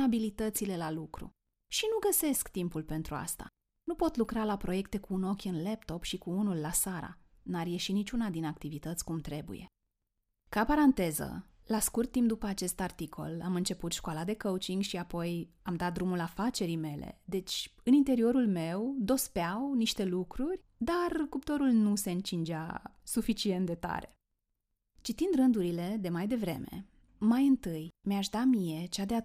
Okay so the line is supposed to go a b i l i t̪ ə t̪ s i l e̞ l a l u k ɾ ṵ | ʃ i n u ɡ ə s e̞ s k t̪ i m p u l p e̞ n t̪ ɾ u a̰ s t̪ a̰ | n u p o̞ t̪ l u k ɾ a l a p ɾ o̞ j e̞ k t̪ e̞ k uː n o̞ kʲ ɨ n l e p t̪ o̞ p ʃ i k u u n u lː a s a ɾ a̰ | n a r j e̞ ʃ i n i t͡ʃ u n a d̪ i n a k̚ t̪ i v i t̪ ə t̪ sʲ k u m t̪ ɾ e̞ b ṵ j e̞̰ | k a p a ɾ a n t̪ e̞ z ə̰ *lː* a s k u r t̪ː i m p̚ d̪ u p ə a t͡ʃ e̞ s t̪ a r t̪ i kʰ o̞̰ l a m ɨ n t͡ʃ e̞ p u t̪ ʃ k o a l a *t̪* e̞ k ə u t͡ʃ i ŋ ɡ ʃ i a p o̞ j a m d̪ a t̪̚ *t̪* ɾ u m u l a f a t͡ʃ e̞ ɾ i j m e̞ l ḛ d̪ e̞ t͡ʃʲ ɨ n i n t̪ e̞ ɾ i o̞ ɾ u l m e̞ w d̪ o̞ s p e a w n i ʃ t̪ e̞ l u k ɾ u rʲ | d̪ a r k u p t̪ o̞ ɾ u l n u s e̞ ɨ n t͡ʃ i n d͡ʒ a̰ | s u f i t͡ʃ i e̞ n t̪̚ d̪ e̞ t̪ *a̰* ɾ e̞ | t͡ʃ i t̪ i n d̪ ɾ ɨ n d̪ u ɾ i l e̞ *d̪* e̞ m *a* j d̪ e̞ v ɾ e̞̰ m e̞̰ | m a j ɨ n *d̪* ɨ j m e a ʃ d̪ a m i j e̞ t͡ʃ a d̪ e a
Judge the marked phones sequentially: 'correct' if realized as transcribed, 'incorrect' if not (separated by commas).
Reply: incorrect, incorrect, incorrect, correct, correct, correct, incorrect